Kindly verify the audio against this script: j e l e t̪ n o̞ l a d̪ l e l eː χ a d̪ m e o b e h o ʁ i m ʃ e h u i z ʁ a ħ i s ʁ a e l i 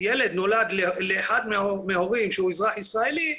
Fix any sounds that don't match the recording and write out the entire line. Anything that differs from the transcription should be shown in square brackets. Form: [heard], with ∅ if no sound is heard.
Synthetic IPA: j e l e [d̪] n o̞ l a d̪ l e l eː [ħ] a d̪ m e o [m] e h o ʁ i m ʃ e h u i z ʁ a ħ i s ʁ a e l i